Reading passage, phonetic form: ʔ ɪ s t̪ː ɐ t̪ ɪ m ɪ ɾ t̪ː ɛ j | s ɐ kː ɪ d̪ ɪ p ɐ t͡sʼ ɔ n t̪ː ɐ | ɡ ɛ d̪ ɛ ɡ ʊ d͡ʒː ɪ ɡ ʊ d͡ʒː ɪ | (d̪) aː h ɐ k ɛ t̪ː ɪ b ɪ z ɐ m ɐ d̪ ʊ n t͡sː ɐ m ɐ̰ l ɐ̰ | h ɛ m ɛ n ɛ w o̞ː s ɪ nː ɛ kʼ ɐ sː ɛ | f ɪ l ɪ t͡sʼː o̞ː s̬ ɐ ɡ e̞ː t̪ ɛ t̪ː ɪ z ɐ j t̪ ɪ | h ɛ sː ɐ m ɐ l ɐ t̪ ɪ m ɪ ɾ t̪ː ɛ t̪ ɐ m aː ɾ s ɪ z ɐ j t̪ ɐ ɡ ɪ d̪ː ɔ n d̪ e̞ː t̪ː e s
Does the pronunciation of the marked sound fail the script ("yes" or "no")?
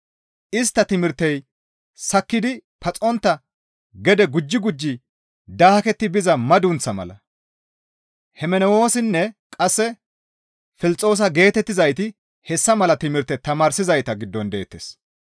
no